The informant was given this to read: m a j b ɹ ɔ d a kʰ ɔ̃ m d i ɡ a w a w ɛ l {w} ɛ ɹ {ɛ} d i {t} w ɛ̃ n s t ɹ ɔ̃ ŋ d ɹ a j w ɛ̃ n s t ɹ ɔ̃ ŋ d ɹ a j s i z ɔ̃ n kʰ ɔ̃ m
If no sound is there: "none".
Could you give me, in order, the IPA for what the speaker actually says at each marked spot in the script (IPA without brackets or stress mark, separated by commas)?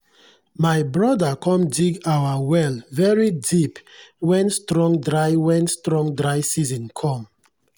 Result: v, i, p